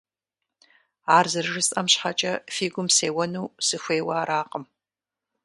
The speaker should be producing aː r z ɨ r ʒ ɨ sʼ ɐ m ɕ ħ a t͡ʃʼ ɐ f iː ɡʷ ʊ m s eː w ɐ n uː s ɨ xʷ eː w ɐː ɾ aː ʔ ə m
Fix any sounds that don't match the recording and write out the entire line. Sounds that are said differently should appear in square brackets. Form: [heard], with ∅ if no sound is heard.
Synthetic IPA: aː r z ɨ r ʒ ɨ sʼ ɐ m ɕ ħ a t͡ʃʼ ɐ f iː ɡʷ ʊ m s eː w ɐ n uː s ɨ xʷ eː w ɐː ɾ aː [q] ə m